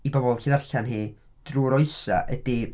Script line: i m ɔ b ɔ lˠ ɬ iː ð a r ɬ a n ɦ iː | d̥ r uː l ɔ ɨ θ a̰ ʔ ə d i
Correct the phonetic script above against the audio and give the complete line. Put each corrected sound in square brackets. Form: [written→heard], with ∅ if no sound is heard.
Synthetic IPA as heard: i [m→b] ɔ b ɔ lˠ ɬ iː ð a r ɬ a n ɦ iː | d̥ r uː [l→ɾ] ɔ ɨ [θ→s] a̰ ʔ ə d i